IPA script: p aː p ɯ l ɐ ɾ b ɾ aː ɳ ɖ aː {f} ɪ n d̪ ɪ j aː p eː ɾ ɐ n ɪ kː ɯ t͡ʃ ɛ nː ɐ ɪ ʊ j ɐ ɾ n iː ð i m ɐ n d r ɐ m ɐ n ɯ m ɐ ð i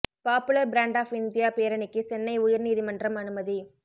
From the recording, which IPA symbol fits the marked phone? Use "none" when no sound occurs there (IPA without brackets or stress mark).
f